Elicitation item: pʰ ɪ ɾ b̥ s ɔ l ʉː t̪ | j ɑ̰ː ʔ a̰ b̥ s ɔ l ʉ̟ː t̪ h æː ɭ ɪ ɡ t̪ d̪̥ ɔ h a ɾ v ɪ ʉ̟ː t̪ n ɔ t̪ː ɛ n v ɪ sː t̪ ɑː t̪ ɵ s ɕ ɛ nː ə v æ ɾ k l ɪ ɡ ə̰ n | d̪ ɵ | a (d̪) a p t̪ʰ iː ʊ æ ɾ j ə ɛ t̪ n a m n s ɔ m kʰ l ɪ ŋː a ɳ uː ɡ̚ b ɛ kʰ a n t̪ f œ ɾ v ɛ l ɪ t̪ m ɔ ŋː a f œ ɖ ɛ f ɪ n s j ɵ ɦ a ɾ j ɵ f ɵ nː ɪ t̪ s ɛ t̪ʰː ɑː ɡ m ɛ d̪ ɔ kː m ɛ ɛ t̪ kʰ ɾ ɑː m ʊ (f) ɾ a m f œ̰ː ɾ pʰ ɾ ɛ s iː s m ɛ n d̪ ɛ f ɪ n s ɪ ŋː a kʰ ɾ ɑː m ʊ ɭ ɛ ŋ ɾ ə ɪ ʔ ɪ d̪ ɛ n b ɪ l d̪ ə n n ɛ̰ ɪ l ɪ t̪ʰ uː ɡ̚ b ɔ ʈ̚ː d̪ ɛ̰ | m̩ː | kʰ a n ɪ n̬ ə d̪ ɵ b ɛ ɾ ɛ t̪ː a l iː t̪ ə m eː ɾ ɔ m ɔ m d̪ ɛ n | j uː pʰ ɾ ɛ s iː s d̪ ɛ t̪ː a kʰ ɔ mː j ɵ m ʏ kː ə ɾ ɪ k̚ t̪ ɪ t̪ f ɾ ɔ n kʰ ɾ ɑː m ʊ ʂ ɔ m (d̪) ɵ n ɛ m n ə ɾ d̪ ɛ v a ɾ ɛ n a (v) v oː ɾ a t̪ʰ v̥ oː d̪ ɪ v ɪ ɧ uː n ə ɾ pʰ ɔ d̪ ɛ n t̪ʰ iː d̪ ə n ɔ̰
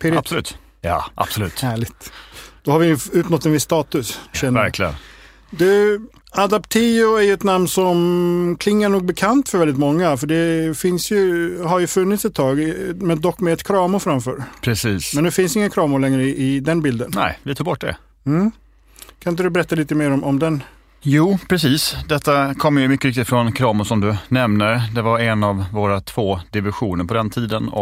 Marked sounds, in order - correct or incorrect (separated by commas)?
correct, correct, correct, correct